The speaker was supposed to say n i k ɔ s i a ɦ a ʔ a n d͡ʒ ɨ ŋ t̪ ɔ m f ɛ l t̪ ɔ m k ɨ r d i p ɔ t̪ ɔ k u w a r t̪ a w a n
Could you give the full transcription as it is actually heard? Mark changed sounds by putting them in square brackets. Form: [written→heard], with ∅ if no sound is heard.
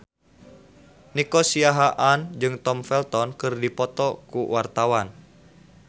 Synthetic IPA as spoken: n i k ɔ s i a ɦ a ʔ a n d͡ʒ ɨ ŋ t̪ ɔ m f ɛ l t̪ ɔ [m→n] k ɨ r d i p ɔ t̪ ɔ k u w a r t̪ a w a n